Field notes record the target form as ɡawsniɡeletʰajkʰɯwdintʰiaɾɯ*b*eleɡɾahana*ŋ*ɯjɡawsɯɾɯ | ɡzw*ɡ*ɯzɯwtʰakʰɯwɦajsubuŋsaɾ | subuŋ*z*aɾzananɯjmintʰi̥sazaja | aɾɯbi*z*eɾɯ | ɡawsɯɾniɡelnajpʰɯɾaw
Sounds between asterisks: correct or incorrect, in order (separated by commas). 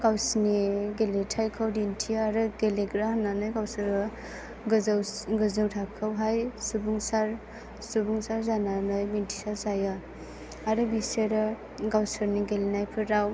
incorrect, incorrect, correct, incorrect, incorrect